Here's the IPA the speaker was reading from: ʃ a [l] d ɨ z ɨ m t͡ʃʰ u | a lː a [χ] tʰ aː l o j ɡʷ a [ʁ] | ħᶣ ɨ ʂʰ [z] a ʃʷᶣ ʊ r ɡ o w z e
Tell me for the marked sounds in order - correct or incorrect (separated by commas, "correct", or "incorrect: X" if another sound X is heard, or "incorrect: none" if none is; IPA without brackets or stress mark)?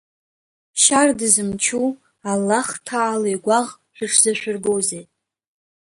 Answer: incorrect: r, correct, correct, correct